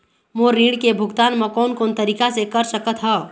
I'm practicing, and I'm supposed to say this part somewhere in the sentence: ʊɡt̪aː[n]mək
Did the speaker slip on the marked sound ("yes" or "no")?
no